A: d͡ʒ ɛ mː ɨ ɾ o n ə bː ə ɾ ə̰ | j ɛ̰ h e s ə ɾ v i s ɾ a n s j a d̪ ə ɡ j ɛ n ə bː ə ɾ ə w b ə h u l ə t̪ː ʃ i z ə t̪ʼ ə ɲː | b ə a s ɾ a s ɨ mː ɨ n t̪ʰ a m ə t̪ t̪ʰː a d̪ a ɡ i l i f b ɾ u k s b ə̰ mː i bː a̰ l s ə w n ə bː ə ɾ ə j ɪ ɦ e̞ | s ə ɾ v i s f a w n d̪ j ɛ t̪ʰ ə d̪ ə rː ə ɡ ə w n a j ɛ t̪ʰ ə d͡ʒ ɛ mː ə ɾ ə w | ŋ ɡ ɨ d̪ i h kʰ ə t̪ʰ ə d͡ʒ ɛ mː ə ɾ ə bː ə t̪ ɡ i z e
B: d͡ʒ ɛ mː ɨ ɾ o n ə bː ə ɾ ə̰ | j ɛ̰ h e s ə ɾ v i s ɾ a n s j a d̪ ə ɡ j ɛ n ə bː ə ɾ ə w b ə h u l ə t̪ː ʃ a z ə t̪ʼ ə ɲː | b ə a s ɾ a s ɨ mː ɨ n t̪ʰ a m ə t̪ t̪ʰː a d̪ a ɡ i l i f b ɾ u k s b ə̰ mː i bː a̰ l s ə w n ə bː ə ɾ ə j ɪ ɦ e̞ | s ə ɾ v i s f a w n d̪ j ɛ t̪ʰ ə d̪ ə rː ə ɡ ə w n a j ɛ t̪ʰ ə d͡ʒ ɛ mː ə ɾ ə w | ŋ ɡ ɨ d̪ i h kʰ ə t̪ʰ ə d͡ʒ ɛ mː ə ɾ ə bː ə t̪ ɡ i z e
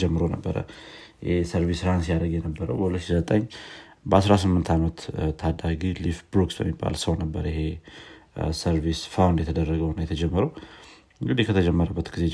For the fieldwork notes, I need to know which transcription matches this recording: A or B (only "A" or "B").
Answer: A